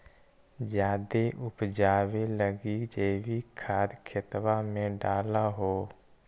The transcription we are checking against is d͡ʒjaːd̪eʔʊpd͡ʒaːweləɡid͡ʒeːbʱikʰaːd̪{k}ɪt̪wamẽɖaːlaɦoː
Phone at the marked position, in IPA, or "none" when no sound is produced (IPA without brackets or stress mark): kʰ